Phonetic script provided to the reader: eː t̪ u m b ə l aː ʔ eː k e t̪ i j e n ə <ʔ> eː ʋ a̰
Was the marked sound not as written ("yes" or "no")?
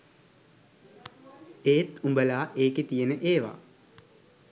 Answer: no